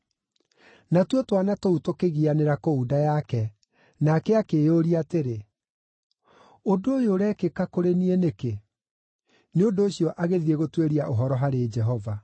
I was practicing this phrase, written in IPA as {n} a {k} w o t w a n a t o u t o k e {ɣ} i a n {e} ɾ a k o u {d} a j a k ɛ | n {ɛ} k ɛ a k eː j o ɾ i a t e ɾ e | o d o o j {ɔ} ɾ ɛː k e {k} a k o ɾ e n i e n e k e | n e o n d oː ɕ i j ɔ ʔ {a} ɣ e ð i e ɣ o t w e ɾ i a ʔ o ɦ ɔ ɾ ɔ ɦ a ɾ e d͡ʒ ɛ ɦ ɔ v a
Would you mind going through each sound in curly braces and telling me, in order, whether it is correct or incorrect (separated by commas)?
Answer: correct, incorrect, correct, correct, correct, incorrect, incorrect, correct, correct